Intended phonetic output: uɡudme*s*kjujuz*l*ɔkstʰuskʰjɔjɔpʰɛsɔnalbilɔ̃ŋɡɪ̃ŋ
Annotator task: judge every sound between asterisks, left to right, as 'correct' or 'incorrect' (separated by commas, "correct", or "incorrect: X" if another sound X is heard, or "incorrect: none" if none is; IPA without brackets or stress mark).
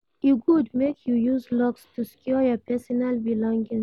incorrect: none, correct